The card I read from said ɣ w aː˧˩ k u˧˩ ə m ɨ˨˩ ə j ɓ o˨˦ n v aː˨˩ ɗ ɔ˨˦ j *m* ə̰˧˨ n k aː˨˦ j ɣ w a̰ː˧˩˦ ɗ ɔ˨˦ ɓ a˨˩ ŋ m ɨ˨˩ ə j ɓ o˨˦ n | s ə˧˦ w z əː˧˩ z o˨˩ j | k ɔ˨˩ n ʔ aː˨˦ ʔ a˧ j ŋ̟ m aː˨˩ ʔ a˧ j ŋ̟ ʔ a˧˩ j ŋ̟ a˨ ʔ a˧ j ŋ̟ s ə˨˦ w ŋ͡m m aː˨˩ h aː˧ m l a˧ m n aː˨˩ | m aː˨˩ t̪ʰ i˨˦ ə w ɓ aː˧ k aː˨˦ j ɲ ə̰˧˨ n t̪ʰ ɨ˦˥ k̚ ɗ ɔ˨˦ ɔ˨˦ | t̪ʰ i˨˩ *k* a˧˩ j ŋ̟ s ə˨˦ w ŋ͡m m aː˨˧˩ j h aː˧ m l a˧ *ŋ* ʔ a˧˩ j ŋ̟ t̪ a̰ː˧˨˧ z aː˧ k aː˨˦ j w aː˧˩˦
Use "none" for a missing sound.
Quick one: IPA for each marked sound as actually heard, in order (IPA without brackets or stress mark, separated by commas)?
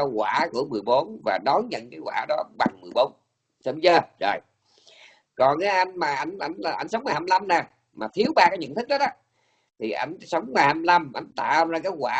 ɲ, ʔ, m